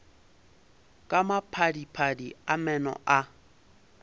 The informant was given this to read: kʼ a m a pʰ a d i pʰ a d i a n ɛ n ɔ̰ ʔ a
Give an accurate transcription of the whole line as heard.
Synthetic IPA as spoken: kʼ a m a pʰ a d i pʰ a d i a m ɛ n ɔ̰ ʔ a